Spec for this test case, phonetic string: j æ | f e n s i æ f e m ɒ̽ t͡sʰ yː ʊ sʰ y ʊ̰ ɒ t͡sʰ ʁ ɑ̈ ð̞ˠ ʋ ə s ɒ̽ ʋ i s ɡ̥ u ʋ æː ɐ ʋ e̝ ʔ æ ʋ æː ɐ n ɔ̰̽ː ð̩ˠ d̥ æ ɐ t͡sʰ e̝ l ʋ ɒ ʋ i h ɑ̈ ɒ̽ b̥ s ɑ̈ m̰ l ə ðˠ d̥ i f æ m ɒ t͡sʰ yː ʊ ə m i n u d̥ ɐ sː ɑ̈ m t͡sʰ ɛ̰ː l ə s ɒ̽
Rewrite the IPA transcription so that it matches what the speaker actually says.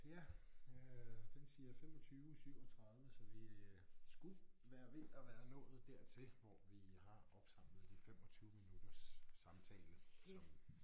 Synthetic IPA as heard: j æ | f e n s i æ f e m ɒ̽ t͡sʰ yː ʊ sʰ y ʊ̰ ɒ t͡sʰ ʁ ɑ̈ ð̞ˠ ʋ ə s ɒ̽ ʋ i s ɡ̥ u ʋ æː ɐ ʋ e̝ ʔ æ ʋ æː ɐ n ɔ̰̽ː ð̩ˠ d̥ æ ɐ t͡sʰ e̝ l ʋ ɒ ʋ i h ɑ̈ ɒ̽ b̥ s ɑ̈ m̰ l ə ðˠ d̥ i f e m ɒ t͡sʰ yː ʊ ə m i n u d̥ ɐ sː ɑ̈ m t͡sʰ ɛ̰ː l ə s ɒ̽